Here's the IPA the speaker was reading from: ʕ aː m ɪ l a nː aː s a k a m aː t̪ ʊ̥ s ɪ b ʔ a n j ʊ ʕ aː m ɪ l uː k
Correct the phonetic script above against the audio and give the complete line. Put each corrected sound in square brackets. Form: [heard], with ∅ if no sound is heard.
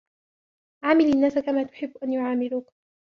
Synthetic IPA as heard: ʕ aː m ɪ l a nː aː s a k a m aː t̪ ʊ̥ [ħ] ɪ [bː] ʔ a n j ʊ ʕ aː m ɪ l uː k